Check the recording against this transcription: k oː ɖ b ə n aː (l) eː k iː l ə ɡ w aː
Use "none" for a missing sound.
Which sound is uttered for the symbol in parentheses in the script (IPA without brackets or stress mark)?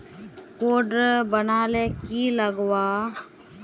l